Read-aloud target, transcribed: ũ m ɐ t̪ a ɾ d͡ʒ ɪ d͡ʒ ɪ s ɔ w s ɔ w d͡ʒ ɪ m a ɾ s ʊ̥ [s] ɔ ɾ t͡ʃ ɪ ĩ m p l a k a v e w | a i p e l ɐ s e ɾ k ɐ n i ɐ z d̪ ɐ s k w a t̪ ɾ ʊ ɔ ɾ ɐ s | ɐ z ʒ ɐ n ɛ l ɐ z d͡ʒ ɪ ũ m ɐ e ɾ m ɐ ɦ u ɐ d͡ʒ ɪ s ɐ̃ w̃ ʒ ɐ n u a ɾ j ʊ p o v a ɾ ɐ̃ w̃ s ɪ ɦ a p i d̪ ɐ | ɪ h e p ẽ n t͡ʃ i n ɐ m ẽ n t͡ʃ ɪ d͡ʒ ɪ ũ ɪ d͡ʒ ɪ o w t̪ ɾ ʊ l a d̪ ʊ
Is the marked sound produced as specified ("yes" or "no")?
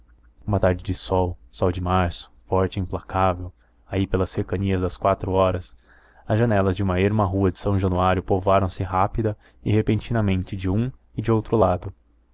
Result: no